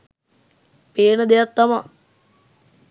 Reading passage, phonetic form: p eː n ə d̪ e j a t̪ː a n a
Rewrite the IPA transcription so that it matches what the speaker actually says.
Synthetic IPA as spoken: p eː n ə d̪ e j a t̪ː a m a

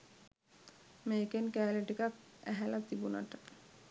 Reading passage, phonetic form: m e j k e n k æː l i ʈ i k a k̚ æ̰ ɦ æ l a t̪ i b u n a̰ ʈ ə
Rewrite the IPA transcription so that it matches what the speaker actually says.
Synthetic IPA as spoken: m e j k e n k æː l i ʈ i k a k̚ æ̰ ɦ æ l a t̪ i b u n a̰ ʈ ə

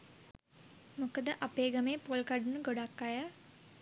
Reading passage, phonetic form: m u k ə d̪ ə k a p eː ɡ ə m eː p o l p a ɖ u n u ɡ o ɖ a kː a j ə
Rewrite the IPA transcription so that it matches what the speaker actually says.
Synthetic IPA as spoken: m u k ə d̪ ə ʔ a p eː ɡ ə m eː p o l k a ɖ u n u ɡ o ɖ a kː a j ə

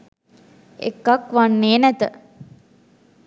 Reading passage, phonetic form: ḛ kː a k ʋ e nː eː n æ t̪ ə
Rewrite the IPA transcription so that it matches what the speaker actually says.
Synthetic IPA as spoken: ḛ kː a k ʋ a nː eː n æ t̪ ə

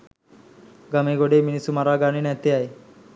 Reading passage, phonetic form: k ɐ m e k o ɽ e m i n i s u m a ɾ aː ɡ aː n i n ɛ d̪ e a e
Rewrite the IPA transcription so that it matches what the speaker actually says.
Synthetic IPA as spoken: ɡ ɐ m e ɡ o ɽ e m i n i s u m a ɾ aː ɡ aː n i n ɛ t̪ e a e

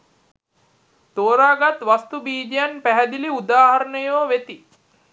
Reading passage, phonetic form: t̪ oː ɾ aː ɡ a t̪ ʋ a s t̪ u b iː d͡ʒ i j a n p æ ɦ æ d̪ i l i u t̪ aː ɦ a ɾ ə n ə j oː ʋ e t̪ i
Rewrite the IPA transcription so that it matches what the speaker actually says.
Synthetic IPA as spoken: t̪ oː ɾ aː ɡ a t̪ ʋ a s t̪ u b iː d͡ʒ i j a n p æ ɦ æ d̪ i l i u d̪ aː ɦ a ɾ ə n ə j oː ʋ e t̪ i

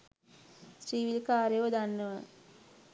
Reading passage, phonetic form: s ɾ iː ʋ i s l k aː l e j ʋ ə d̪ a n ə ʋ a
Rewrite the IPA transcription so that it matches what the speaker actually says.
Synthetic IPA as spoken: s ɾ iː ʋ i l k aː ɾ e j ʋ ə d̪ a nː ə ʋ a

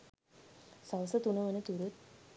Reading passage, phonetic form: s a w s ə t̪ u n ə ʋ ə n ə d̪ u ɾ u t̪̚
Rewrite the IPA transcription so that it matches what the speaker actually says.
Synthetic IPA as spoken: s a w s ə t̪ u n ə ʋ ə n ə t̪ u ɾ u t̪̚

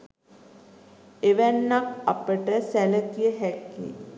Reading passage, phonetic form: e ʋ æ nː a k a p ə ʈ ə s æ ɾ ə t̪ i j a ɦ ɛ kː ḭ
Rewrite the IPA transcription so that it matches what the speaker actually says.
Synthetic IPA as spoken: e ʋ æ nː a k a p ə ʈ ə s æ l ə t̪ i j ə ɦ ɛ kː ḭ

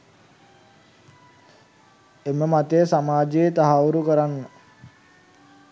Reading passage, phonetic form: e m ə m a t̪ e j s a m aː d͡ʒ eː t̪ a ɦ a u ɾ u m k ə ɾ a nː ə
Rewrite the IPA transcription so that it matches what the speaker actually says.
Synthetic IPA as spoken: e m ə m a t̪ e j s a m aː d͡ʒ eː t̪ a ɦ a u ɾ u k ə ɾ a nː ə

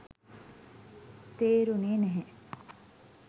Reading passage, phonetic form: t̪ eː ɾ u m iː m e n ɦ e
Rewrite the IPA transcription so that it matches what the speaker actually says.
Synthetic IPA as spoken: t̪ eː ɾ u n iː n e ɦ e

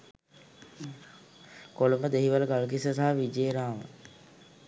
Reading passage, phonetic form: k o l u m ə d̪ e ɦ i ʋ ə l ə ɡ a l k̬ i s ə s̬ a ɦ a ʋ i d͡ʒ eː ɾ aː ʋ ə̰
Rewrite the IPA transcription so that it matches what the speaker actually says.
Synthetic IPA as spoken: k o l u m ə d̪ e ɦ i ʋ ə l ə ɡ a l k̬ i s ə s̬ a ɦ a ʋ i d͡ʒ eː ɾ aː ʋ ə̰

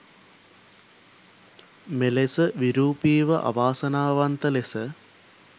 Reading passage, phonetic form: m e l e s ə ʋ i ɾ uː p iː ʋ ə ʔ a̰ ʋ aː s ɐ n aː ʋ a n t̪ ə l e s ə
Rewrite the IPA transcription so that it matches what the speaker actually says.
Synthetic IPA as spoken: m e l e s ə ʋ i ɾ uː p iː ʋ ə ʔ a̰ ʋ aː s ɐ n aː ʋ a n t̪ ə l e s ə

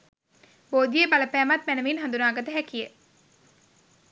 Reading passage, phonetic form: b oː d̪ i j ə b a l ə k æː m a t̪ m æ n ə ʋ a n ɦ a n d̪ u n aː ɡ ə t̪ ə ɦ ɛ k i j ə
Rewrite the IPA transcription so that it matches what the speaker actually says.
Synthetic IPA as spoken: b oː d̪ i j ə b a l ə p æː m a t̪ m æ n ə ʋ i n ɦ a n d̪ u n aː ɡ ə t̪ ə ɦ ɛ k i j ə

